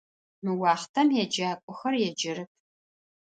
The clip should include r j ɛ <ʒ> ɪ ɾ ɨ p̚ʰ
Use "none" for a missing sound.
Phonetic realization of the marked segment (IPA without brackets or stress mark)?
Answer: d͡ʒ